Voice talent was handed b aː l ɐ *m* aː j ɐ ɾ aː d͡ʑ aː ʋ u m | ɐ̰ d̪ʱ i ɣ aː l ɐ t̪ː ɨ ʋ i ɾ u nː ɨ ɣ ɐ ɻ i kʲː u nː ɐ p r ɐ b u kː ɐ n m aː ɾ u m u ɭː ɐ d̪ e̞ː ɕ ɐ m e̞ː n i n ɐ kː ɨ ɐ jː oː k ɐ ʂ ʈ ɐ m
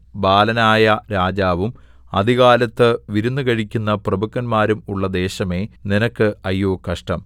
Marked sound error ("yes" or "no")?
yes